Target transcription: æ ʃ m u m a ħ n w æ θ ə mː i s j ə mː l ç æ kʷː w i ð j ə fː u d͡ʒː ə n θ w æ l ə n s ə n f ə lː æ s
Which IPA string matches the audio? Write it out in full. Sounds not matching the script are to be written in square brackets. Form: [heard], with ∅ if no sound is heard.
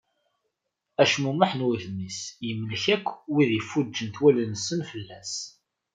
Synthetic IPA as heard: æ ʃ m u m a ħ n w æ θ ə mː i s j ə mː l ç æ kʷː w i ð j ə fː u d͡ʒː ə n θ w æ l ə n s ə n f ə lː æ s

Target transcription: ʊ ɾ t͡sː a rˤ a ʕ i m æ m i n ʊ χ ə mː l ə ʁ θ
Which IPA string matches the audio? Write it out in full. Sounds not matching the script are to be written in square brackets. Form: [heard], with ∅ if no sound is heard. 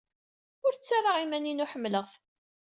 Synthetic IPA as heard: ʊ ɾ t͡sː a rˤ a [ʁ] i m æ [n] i n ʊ [ħ] ə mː l ə ʁ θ

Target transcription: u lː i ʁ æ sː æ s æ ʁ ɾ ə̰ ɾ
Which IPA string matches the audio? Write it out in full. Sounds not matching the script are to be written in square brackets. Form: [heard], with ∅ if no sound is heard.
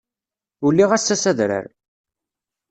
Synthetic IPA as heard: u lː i ʁ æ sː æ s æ [ð] ɾ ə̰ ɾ

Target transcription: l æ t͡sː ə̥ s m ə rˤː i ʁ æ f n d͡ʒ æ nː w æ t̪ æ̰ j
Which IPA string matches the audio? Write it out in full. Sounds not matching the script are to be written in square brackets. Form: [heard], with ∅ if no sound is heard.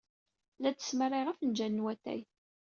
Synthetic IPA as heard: l æ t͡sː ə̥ s m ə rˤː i ʁ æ f n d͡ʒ æ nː w æ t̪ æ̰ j

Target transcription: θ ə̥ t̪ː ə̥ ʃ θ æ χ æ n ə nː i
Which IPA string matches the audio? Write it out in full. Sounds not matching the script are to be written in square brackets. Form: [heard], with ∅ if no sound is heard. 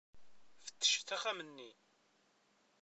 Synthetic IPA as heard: [f] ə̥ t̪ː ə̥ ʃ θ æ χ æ [m] ə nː i

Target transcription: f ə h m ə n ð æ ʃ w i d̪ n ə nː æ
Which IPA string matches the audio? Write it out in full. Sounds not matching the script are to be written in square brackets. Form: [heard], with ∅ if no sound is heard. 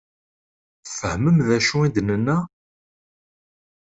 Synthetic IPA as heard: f ə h m ə [m] ð æ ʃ [u] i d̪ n ə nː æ

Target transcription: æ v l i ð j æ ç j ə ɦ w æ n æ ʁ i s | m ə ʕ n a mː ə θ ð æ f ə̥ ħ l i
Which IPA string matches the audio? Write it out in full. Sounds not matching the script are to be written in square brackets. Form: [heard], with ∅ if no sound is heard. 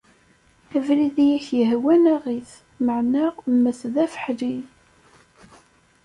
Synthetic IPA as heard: æ v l i ð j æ ç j ə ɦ w æ n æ ʁ i [θ] | m ə ʕ n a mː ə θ ð æ f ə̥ ħ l i

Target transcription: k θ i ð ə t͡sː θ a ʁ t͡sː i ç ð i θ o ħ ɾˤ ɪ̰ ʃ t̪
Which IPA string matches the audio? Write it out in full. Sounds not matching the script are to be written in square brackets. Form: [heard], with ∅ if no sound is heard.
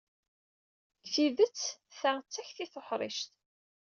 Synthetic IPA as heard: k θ i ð ə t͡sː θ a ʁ t͡sː [æ] ç [θ] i θ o ħ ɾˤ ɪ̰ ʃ t̪

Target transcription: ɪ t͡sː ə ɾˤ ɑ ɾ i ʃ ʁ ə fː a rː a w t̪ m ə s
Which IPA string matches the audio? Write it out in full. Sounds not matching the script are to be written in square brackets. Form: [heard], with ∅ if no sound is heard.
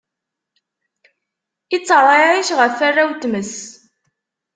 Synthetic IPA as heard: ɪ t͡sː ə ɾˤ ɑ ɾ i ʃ ʁ ə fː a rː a w t̪ m ə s

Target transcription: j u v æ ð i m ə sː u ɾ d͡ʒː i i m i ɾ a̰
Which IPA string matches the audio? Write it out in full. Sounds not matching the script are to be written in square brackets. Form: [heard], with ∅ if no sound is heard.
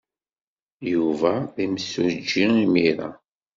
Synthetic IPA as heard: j u v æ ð i m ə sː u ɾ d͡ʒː i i m i ɾ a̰

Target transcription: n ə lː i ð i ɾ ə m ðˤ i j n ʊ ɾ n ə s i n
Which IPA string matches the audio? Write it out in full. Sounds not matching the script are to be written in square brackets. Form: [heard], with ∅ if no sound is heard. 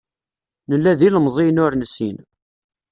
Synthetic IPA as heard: n ə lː [æ] ð i [l] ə m [zˤ] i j n ʊ ɾ n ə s i n

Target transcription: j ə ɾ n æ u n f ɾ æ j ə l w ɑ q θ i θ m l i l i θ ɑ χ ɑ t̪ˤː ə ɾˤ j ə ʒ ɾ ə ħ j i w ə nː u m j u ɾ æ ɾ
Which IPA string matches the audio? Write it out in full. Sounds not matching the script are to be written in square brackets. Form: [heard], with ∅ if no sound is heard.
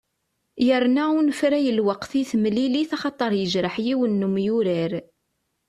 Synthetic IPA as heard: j ə ɾ n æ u n f ɾ æ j ə l w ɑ q θ i θ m l i l i θ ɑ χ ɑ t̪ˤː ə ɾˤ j ə ʒ ɾ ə ħ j i w ə nː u m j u ɾ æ ɾ

